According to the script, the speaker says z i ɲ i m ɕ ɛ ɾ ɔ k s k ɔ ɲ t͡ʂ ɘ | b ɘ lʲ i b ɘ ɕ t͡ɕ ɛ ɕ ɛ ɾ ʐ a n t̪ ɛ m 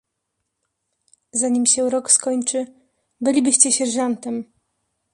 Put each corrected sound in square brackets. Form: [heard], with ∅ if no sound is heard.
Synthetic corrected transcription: z [a] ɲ i m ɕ ɛ ɾ ɔ k s k ɔ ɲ t͡ʂ ɘ | b ɘ lʲ i b ɘ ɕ t͡ɕ ɛ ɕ ɛ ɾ ʐ a n t̪ ɛ m